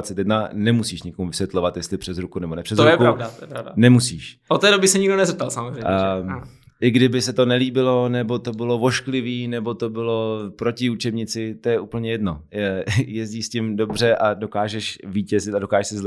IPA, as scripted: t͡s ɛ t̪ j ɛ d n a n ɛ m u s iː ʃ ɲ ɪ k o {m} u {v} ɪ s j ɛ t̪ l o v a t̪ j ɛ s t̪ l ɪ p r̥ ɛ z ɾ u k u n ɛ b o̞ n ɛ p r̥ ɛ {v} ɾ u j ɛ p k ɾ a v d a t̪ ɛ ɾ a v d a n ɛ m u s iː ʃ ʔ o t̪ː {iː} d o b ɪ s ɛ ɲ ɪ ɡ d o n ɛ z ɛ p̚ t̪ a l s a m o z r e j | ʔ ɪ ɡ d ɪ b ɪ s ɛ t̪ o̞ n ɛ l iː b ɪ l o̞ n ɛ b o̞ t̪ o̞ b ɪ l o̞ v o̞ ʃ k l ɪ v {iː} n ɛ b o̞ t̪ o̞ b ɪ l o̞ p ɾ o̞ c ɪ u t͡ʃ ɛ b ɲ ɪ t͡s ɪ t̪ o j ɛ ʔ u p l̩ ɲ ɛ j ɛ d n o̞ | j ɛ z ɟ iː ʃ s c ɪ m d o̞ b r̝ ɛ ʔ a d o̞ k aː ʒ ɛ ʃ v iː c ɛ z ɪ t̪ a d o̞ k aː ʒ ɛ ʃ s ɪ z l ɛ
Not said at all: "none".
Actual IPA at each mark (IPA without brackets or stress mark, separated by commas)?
m, v, z, ɛː, iː